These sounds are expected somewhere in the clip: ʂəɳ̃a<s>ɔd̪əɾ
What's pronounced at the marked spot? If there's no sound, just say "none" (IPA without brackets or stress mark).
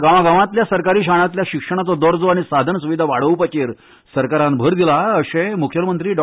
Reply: t͡s